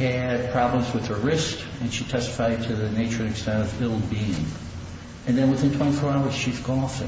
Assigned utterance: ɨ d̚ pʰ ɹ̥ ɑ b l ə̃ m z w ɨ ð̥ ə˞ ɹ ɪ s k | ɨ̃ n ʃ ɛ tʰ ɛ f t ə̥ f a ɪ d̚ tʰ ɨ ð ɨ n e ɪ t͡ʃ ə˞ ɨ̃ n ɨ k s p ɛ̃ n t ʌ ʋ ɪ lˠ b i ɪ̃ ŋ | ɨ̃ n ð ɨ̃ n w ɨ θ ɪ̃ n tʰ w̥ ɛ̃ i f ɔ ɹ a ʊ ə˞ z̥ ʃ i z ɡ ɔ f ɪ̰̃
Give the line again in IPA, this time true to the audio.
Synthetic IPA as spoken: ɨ d̚ pʰ ɹ̥ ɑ b l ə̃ m z w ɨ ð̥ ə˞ ɹ ɪ s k | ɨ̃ n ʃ i tʰ ɛ s t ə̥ f a ɪ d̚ tʰ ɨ ð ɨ n e ɪ t͡ʃ ə˞ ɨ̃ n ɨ k s t ɛ̃ n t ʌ v ɪ lˠ b i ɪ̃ ŋ | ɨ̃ n ð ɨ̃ n w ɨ θ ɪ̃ n tʰ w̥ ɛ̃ i f ɔ ɹ a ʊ ə˞ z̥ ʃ i z ɡ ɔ f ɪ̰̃